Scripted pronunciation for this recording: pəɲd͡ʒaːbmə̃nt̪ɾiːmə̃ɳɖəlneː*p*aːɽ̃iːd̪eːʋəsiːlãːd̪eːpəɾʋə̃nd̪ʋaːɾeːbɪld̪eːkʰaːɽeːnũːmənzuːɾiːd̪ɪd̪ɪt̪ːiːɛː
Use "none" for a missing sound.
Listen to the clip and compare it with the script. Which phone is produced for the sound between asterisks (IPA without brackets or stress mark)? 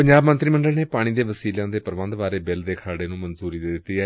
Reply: p